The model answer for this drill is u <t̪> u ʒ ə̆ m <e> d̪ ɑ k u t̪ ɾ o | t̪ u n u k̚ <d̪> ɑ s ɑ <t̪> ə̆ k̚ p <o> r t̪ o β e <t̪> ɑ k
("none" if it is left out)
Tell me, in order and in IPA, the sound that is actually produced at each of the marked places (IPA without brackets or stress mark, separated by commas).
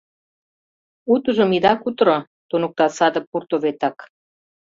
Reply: t̪, i, t̪, d̪, u, t̪